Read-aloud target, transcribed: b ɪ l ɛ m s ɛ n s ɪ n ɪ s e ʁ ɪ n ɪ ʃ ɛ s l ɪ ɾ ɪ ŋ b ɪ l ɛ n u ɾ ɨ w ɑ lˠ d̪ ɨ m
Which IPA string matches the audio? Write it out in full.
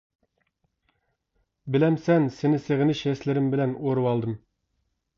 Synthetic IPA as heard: b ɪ l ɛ m s ɛ n s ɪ n ɪ s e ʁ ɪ n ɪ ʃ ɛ s l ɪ ɾ ɪ m b ɪ l ɛ n o ɾ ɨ w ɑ lˠ d̪ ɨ m